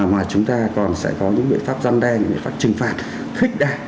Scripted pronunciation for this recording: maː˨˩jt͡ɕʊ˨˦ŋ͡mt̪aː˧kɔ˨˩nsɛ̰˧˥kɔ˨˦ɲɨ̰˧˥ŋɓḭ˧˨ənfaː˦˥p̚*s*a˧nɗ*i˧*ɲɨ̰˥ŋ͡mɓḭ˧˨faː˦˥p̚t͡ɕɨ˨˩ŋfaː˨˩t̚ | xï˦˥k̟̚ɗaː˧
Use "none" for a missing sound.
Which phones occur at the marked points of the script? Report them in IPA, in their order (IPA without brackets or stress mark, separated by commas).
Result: z, ɛ˧